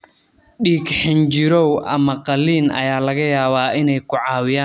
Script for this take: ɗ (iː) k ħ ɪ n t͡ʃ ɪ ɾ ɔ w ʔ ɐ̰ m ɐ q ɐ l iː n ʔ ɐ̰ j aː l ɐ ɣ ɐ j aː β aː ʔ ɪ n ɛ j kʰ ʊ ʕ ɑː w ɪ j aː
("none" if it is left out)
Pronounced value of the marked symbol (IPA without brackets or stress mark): iː